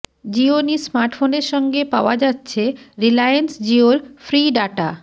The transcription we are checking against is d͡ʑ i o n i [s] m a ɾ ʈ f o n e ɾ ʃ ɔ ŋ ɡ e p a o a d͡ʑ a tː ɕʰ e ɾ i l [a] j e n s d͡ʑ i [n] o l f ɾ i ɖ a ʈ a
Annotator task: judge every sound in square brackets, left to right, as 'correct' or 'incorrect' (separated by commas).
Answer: correct, correct, incorrect